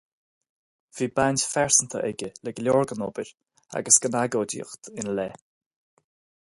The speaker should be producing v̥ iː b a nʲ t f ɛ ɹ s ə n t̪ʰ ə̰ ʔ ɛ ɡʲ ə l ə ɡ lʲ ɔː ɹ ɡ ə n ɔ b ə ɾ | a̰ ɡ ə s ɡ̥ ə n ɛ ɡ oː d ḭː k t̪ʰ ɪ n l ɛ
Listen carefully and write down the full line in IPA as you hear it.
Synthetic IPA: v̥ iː b a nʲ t f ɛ ɹ s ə n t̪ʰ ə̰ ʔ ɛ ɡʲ ə l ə ɡ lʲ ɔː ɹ ɡ ə n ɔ b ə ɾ | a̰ ɡ ə s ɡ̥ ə n a ɡ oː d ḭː x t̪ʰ ɪ n l ɛ